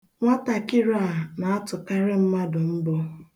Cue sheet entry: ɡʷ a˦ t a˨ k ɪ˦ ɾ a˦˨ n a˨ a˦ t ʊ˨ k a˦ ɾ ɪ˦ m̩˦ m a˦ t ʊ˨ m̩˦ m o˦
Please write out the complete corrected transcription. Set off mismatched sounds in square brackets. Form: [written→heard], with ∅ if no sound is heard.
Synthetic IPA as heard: [ɡʷ→ŋʷ] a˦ t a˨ k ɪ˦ ɾ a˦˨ n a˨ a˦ t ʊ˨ k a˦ ɾ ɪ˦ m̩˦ m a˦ [t→d] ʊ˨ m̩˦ [m→b] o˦